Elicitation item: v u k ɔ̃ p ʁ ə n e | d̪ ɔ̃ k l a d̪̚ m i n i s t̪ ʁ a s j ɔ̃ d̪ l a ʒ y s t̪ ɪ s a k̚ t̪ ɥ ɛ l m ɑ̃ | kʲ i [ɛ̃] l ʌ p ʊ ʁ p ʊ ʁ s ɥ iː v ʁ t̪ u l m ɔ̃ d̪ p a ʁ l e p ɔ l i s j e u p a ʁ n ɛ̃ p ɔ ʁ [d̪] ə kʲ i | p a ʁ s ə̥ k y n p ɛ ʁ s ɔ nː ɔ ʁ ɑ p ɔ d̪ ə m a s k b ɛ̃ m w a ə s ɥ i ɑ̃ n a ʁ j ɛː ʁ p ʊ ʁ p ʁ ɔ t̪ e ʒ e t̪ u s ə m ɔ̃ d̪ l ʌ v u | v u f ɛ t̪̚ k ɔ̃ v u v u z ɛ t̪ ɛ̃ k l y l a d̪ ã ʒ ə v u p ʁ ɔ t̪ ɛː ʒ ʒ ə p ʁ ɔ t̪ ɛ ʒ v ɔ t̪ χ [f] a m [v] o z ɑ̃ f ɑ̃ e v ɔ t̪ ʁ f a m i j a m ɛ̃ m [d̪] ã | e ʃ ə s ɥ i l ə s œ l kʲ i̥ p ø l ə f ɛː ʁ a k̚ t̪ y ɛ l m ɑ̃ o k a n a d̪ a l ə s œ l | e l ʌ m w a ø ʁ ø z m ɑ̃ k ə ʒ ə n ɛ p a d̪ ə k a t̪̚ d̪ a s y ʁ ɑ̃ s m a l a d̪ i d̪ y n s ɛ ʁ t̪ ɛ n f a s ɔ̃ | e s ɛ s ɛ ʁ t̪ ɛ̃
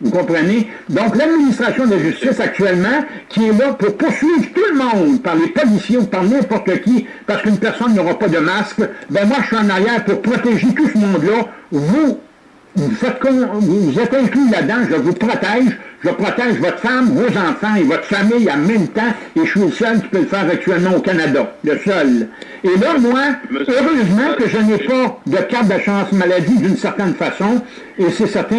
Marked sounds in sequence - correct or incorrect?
incorrect, incorrect, correct, correct, incorrect

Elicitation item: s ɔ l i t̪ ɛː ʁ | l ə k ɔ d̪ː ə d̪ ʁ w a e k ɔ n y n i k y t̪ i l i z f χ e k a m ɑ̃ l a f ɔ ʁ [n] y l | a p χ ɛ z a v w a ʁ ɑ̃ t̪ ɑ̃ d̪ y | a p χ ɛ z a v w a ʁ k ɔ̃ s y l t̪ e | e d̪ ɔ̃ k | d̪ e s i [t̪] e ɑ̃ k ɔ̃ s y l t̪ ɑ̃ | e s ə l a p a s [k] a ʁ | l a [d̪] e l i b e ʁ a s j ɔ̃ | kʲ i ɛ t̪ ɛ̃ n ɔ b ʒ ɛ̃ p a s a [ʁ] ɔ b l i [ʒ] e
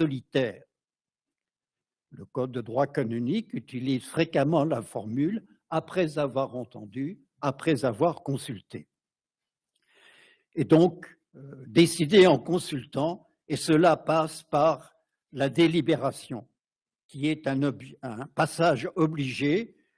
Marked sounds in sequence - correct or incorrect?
incorrect, incorrect, incorrect, correct, incorrect, correct

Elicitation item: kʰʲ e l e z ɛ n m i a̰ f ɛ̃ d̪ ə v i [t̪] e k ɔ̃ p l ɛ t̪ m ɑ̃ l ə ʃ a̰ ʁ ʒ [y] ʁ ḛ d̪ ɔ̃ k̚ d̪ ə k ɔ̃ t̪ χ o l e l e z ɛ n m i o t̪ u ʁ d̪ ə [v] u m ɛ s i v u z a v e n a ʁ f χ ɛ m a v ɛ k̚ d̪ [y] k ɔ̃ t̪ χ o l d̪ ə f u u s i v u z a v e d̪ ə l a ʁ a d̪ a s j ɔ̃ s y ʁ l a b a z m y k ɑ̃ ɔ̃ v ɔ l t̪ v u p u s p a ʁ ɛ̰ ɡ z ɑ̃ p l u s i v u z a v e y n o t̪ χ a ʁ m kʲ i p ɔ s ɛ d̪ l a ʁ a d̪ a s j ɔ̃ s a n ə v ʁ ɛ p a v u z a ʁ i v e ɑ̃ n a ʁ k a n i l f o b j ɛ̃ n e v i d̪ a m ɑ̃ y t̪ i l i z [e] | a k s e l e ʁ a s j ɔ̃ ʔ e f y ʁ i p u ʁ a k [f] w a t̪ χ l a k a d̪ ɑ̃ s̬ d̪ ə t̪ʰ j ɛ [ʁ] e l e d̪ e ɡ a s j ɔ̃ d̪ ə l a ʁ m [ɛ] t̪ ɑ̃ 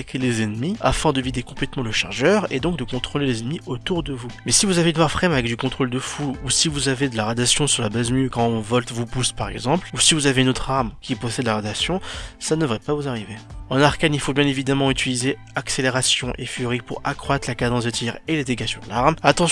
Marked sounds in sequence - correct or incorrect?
incorrect, incorrect, correct, correct, correct, incorrect, correct, incorrect

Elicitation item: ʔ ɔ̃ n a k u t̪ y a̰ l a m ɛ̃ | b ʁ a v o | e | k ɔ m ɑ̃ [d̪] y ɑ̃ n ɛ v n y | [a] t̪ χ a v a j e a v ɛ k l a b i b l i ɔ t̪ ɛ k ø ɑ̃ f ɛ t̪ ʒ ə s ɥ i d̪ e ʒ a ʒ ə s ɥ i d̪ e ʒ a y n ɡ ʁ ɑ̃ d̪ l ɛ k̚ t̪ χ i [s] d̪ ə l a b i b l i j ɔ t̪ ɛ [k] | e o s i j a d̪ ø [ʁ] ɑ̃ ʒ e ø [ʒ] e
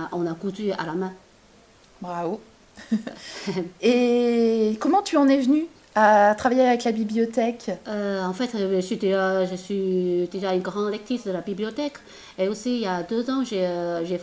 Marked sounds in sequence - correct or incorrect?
incorrect, correct, correct, correct, incorrect, correct

